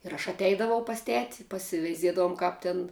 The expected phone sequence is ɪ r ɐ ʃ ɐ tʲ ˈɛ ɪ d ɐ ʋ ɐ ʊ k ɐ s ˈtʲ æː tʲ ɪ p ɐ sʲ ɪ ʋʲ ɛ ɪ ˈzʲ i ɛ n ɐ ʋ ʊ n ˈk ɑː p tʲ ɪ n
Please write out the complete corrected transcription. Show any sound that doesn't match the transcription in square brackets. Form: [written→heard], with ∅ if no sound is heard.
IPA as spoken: ɪ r ɐ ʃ ɐ tʲ ˈɛ ɪ d ɐ ʋ ɐ ʊ [k→p] ɐ s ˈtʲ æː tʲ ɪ p ɐ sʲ ɪ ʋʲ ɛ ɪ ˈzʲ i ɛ [n→d] ɐ ʋ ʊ [n→m] ˈk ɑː p tʲ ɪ n